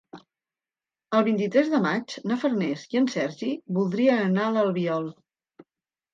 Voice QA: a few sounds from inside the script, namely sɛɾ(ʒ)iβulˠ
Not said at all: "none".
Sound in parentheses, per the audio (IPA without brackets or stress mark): ʒ